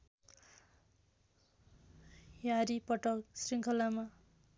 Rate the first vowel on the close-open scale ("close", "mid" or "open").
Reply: open